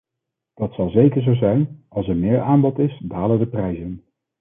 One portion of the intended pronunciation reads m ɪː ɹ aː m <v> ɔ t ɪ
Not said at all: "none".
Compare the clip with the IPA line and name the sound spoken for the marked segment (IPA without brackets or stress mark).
b